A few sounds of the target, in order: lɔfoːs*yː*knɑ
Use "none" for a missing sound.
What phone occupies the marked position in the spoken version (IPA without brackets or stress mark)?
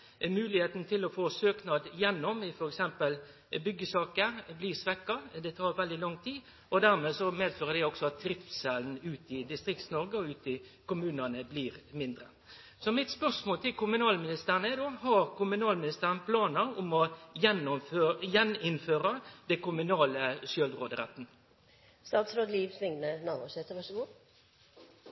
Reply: øː